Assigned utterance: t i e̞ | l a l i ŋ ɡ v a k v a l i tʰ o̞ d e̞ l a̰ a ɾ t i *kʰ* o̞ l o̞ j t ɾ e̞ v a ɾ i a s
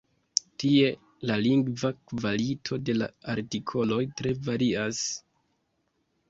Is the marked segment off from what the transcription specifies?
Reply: no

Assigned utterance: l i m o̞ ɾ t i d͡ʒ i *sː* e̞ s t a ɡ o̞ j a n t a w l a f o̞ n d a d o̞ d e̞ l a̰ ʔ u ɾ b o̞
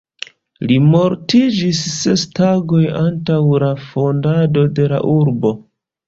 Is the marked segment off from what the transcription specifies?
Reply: no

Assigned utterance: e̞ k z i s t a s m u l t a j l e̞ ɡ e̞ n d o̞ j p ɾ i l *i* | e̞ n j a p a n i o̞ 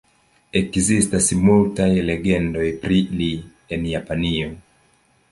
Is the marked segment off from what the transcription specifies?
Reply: no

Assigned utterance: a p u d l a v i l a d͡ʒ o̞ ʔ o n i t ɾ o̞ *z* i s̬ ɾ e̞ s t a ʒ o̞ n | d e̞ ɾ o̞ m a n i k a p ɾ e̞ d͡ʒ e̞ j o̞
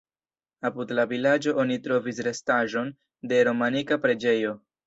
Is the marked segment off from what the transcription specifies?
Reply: yes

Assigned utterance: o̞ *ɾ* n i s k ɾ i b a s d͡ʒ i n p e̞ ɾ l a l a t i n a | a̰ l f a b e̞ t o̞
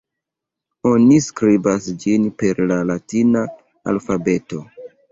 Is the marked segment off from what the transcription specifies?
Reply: yes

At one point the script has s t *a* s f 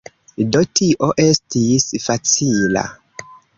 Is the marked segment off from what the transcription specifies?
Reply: yes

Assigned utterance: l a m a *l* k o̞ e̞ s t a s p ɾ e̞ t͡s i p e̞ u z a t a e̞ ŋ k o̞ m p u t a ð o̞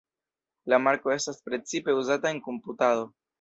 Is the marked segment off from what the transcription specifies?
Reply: yes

